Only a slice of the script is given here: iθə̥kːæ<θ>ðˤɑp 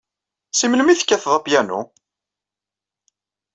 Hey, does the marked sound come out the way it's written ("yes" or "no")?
yes